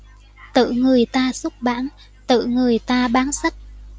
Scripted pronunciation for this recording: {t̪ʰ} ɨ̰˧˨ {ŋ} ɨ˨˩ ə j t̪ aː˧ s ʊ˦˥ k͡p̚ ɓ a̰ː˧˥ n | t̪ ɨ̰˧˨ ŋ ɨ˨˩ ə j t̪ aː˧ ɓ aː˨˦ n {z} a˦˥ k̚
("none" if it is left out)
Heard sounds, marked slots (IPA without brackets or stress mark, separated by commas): t̪, ŋ, s